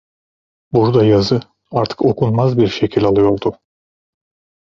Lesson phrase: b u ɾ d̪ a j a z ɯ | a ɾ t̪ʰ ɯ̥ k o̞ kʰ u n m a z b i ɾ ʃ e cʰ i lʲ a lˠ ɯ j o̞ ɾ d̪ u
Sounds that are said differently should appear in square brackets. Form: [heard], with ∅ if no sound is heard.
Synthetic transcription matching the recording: b u ɾ d̪ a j a z ɯ | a ɾ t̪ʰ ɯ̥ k o̞ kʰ u n m a z b i ɾ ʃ e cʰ i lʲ a lˠ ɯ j o̞ ɾ d̪ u